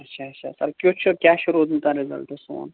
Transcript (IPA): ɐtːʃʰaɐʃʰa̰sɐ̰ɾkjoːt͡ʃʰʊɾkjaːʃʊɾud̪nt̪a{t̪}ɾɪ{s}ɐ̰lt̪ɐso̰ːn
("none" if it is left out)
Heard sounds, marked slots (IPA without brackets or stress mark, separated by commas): none, z